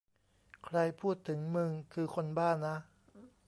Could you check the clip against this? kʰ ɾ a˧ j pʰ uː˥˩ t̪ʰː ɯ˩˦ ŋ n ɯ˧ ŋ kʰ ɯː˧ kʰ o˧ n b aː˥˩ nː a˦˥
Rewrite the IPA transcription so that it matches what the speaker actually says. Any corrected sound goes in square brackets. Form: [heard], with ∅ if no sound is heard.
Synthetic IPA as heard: kʰ ɾ a˧ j pʰ uː˥˩ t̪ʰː ɯ˩˦ ŋ [m] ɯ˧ ŋ kʰ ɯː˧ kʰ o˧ n b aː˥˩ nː a˦˥